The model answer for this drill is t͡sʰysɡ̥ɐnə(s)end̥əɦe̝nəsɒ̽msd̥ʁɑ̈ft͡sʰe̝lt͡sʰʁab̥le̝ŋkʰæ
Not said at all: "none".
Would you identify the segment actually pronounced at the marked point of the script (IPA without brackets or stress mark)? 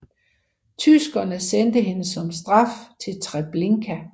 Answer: s